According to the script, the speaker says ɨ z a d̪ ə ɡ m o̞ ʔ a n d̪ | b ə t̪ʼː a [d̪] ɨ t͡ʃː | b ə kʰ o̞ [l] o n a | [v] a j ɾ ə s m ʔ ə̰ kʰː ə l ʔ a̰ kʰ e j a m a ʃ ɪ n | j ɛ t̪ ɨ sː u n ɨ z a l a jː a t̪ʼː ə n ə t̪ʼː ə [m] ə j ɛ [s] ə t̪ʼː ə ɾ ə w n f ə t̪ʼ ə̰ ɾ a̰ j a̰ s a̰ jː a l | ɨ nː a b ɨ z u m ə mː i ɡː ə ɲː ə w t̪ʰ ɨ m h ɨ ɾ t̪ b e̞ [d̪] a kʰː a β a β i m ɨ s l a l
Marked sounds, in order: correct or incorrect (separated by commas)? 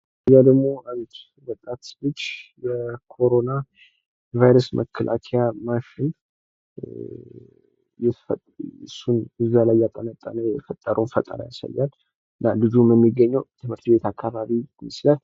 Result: incorrect, incorrect, correct, incorrect, incorrect, incorrect